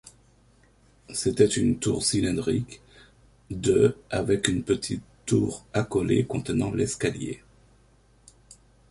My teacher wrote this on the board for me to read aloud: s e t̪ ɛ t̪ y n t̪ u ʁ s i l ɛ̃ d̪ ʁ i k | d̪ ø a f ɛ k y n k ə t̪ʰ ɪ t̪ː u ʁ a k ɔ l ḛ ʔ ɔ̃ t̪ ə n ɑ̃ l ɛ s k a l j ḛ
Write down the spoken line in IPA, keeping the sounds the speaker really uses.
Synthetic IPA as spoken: s e t̪ ɛ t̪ y n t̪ u ʁ s i l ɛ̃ d̪ ʁ i k | d̪ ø a v ɛ k y n p ə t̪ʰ i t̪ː u ʁ a k ɔ l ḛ k ɔ̃ t̪ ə n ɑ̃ l ɛ s k a l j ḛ